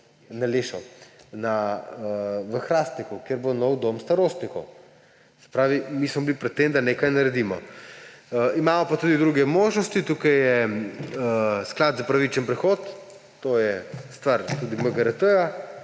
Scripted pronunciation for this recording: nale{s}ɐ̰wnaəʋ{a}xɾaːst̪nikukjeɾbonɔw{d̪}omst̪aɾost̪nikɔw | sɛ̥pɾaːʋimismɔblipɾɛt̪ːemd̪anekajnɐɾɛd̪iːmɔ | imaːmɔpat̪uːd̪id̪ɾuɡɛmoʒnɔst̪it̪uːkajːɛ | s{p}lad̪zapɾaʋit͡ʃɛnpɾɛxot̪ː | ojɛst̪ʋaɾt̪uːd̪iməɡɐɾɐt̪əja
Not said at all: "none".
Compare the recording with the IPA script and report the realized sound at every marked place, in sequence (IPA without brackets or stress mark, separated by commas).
ʃ, ə, d̪, k